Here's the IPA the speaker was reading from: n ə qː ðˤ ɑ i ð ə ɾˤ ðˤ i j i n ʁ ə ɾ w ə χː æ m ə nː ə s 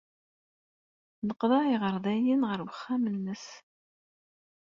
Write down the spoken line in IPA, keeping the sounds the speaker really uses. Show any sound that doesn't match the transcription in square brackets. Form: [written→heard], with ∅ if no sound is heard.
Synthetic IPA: n ə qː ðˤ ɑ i [ð→ʁ] ə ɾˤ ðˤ [i→æ] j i n ʁ ə ɾ w ə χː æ m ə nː ə s

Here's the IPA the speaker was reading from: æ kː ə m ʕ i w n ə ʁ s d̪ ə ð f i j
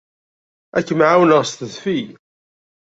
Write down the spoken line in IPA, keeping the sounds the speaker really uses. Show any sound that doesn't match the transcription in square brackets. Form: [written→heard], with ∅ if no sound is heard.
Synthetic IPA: æ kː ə m ʕ [i→a] w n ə ʁ s [d̪→t̪] ə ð f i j

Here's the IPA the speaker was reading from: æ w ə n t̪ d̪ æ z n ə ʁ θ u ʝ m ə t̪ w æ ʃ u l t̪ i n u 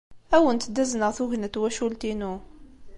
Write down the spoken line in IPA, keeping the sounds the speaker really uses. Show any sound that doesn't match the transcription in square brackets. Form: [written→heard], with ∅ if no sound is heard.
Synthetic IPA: æ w ə n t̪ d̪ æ z n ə ʁ θ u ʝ [m→n] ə t̪ w æ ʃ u l t̪ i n u

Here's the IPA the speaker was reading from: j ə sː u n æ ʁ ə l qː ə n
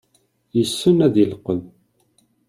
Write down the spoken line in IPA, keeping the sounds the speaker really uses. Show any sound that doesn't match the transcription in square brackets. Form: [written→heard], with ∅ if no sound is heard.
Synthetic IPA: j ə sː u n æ [ʁ→ð] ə l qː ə n

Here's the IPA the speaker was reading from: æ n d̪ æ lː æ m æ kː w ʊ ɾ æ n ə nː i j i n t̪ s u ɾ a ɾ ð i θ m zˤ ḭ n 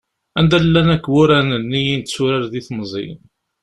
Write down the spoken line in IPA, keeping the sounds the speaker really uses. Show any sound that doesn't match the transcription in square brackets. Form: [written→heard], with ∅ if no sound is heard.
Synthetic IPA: æ n d̪ æ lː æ [m→n] æ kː w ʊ ɾ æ n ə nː i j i n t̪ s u ɾ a ɾ ð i θ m zˤ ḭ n

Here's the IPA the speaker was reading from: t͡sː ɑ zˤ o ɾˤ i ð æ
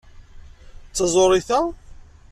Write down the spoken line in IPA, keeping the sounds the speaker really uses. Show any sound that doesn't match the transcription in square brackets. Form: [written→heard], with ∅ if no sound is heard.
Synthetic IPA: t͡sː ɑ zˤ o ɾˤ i [ð→θ] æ

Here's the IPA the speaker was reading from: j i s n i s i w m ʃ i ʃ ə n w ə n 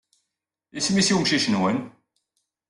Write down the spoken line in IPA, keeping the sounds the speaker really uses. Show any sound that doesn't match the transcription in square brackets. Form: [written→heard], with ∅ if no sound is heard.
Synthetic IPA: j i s [n→m] i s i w m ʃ i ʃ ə n w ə n

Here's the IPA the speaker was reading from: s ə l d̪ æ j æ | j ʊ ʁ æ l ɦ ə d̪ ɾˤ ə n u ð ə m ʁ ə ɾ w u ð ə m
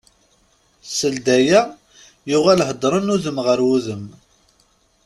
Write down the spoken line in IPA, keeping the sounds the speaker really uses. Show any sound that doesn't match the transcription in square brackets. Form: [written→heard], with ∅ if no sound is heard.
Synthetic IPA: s ə l d̪ æ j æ | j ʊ ʁ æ l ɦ ə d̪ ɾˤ ə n u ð ə m ʁ ə ɾ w u ð ə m

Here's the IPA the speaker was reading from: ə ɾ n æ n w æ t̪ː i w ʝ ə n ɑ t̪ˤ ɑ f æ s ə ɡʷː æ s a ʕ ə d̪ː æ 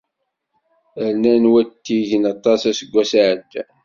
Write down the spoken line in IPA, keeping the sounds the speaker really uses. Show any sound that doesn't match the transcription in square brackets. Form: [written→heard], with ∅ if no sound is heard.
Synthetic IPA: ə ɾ n æ n w æ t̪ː i [w→∅] ʝ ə n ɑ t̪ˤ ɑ [f→s] æ s ə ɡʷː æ s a ʕ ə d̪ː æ

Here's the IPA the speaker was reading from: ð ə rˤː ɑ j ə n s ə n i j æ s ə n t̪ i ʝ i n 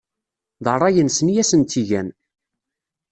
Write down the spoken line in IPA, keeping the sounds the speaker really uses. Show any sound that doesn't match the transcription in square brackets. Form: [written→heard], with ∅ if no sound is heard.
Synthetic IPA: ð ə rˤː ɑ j ə n s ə n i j æ s ə n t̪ i ʝ [i→æ] n

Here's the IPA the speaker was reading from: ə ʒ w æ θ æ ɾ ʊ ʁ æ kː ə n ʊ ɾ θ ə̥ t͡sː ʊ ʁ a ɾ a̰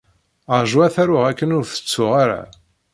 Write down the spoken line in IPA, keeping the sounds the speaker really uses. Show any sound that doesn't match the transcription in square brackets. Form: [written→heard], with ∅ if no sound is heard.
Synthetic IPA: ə ʒ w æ θ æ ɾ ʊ ʁ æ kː ə n ʊ ɾ θ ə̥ t͡sː ʊ ʁ a ɾ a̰

